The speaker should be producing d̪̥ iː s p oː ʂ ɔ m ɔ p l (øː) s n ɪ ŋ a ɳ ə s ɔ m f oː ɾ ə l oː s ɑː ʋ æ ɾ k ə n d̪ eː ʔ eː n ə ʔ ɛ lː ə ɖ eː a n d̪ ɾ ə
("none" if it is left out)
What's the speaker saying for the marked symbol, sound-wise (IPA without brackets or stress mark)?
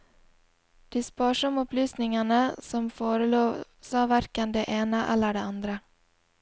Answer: yː